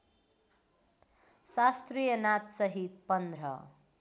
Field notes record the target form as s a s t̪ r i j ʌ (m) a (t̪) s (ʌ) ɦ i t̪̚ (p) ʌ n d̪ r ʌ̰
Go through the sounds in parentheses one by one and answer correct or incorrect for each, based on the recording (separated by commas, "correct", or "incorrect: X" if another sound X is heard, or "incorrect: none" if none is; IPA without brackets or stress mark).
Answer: incorrect: n, correct, correct, correct